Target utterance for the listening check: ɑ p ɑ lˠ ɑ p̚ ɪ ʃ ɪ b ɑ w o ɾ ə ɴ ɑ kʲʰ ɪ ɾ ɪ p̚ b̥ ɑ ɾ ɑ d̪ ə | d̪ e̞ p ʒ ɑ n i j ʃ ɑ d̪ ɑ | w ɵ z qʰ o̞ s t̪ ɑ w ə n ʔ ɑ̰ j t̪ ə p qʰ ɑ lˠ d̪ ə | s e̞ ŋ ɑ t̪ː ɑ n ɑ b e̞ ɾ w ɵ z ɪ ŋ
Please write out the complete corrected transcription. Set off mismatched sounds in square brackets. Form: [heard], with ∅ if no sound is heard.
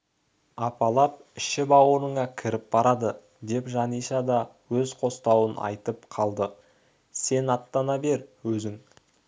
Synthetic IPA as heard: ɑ p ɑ lˠ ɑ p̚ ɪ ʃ ɪ b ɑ w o ɾ ə ɴ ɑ kʲʰ ɪ ɾ ɪ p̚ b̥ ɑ ɾ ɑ d̪ ə | d̪ e̞ p ʒ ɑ n i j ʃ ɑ d̪ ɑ | w ɵ z qʰ o̞ s t̪ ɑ w ə n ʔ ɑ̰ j t̪ ə p qʰ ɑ lˠ d̪ ə | s e̞ [n] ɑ t̪ː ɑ n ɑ b e̞ ɾ w ɵ z ɪ ŋ